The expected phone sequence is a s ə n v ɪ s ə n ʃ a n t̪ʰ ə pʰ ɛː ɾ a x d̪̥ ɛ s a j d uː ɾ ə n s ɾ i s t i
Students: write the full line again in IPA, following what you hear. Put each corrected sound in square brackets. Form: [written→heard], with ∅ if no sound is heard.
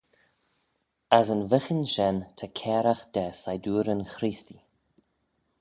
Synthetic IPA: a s ə n v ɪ [s→x] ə n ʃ [a→ɛ] n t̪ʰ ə [pʰ→kʰ] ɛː ɾ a x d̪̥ ɛ s a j d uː ɾ ə n [s→x] ɾ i s t i